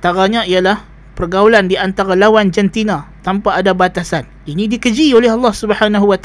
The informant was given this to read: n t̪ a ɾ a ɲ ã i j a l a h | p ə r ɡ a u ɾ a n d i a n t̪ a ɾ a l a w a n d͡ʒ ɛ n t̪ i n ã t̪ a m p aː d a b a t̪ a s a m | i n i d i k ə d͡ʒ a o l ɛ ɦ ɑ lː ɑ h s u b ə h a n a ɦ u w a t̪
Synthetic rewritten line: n t̪ a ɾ a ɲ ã i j a l a h | p ə r ɡ a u l a n d i a n t̪ a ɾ a l a w a n d͡ʒ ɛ n t̪ i n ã t̪ a m p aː d a b a t̪ a s a n | i n i d i k ə d͡ʒ i o l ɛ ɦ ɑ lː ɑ h s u b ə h a n a ɦ u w a t̪